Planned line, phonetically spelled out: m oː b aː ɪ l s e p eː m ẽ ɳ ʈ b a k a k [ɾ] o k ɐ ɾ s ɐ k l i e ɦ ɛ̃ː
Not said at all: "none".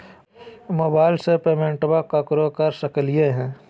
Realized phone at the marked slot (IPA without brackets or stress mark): ɾ